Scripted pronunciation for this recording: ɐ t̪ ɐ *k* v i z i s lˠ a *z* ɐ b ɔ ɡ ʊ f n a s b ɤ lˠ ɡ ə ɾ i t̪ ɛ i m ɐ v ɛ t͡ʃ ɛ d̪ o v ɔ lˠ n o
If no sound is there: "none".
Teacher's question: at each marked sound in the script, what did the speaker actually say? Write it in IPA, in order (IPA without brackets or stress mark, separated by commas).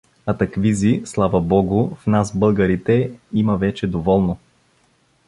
k, v